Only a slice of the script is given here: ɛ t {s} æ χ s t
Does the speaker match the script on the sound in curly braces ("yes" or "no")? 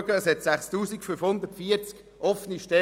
yes